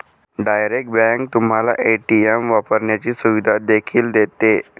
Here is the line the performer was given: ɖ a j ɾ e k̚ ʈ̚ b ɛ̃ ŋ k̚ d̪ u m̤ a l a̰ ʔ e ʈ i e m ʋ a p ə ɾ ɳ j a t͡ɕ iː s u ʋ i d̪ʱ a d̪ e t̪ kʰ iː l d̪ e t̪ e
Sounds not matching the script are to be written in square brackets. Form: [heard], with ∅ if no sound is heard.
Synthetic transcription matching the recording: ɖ a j ɾ e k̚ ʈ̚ b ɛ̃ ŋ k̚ [t̪] u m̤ a l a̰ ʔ e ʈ i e m ʋ a p ə ɾ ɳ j a t͡ɕ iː s u ʋ i d̪ʱ a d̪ e [∅] kʰ iː l d̪ e t̪ e

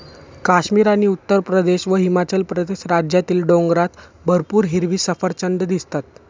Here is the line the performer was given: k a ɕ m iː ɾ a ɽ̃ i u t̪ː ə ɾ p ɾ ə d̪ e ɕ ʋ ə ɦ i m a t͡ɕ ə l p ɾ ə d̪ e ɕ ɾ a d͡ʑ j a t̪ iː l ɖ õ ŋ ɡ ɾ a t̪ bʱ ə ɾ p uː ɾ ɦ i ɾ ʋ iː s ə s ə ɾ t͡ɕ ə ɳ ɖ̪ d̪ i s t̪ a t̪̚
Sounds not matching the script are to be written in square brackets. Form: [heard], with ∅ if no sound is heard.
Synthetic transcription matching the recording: k a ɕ m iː ɾ a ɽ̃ i u t̪ː ə ɾ p ɾ ə d̪ e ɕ ʋ ə ɦ i m a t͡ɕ ə l p ɾ ə d̪ e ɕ ɾ a d͡ʑ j a t̪ iː l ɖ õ ŋ ɡ ɾ a t̪ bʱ ə ɾ p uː ɾ ɦ i ɾ ʋ iː s ə [f] ə ɾ t͡ɕ ə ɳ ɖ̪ d̪ i s t̪ a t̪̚

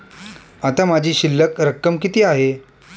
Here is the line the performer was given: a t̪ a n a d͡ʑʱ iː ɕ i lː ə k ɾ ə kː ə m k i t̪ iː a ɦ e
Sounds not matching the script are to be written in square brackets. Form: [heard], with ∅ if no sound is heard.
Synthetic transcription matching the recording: a t̪ a [m] a d͡ʑʱ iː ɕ i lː ə k ɾ ə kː ə m k i t̪ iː a ɦ e

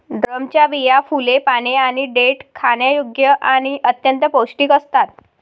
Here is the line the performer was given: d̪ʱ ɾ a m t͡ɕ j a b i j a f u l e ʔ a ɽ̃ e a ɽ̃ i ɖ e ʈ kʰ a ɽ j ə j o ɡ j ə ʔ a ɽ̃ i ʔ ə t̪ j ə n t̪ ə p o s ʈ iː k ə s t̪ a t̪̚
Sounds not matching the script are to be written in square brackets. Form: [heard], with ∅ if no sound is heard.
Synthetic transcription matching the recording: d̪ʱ ɾ [ə] m t͡ɕ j a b i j a f u l e [p] a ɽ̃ e a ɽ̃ i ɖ e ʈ kʰ a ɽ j [a] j o ɡ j ə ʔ a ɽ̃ i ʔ ə t̪ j ə n t̪ ə p o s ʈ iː k ə s t̪ a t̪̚

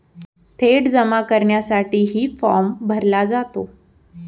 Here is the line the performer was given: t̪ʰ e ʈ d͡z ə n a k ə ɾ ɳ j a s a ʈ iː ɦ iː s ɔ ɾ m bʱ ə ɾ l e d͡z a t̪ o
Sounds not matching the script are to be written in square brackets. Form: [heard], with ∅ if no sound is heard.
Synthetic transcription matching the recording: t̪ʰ e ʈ d͡z ə [m] a k ə ɾ ɳ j a s a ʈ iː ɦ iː [f] ɔ ɾ m bʱ ə ɾ l [a] d͡z a t̪ o

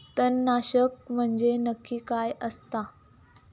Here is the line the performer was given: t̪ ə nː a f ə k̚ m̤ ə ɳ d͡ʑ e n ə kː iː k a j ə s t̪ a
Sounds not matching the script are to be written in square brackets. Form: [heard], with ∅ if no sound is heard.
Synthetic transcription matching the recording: t̪ ə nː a [ɕ] ə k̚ m̤ ə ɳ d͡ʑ e n ə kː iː k a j ə s t̪ a

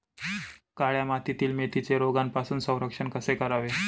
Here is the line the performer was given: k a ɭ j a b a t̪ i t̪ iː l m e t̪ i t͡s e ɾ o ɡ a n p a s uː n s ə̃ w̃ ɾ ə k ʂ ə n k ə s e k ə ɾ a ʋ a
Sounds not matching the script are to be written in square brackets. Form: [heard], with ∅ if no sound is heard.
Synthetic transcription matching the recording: k a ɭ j a [m] a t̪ i t̪ iː l m e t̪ i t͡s e ɾ o ɡ a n p a s uː n s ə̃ w̃ ɾ ə k ʂ ə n k ə s e k ə ɾ a ʋ [e]

